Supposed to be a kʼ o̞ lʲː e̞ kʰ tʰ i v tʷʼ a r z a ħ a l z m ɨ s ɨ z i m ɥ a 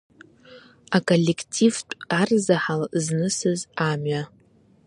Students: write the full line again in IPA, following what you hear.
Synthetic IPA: a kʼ o̞ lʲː e̞ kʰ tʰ i v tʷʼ a r z a ħ a l z n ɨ s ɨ z a m ɥ a